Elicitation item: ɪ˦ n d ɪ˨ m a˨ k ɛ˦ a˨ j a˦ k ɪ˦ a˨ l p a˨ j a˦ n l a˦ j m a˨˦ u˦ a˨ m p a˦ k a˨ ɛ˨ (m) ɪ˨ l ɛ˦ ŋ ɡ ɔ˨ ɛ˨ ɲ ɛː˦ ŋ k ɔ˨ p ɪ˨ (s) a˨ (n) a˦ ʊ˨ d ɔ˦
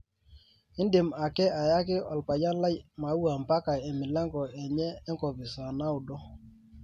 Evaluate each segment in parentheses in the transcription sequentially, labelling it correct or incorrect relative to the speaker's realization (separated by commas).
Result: correct, correct, correct